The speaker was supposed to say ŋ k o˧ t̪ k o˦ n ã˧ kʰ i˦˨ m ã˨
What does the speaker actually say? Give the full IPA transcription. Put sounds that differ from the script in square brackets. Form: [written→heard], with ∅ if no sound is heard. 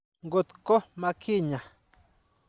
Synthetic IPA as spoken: ŋ [k→ɡ] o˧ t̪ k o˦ [n→m] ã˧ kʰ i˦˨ [m→ɲ] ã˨